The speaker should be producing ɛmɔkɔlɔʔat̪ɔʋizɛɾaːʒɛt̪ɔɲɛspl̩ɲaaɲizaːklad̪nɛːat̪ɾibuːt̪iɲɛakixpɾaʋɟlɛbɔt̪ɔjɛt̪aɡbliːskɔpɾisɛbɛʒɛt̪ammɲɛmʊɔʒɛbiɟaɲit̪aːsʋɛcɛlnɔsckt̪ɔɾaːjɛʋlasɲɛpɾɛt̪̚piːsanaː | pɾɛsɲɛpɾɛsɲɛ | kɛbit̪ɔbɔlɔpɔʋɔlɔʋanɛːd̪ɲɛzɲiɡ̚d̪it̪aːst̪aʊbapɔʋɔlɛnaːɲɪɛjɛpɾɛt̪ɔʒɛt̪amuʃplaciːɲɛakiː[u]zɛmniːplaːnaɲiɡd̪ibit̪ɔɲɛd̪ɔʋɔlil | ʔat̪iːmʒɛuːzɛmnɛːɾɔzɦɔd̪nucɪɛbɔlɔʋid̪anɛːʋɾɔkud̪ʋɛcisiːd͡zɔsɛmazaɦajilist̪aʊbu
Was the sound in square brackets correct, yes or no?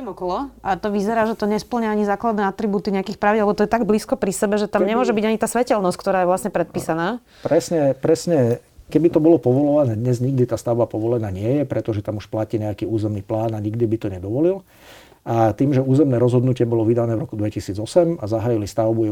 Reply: no